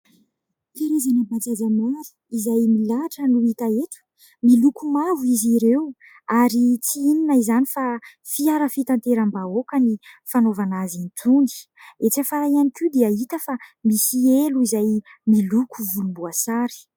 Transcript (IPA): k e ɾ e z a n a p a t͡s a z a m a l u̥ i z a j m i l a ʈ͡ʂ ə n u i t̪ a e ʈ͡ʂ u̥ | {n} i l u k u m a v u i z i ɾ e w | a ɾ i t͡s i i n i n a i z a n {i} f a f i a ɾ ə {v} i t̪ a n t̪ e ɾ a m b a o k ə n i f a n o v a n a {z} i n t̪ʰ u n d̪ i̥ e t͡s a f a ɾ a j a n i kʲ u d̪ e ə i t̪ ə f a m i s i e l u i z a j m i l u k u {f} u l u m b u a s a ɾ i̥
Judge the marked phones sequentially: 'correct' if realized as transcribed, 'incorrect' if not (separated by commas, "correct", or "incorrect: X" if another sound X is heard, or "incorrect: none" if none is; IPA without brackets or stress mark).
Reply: incorrect: m, correct, incorrect: f, correct, incorrect: v